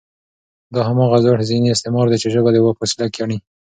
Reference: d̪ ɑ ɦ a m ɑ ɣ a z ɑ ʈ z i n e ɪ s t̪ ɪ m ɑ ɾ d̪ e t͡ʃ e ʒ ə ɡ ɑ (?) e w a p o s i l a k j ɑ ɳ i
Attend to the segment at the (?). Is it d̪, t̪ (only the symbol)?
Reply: d̪